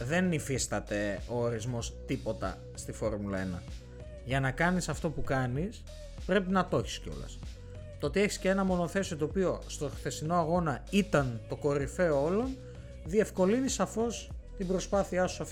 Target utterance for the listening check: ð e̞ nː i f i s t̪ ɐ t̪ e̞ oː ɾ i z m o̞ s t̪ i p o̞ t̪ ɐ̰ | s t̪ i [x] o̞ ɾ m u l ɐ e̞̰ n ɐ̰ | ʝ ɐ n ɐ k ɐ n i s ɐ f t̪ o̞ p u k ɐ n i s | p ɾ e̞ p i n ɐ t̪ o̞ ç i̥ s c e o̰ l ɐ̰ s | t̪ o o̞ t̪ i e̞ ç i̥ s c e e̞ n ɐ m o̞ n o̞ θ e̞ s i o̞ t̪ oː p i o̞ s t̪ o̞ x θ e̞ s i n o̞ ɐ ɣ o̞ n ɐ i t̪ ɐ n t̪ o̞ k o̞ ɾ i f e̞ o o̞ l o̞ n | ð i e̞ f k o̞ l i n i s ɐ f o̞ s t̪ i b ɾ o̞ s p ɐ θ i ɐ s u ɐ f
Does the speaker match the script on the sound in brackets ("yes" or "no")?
no